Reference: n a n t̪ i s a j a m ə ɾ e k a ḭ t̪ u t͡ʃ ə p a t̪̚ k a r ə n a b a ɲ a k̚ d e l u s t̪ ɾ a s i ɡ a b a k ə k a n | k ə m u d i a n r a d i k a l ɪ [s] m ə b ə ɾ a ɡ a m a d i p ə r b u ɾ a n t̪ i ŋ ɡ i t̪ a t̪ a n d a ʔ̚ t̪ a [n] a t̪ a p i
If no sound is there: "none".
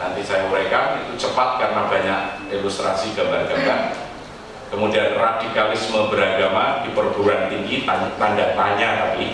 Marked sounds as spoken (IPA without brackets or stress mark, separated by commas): s, ɲ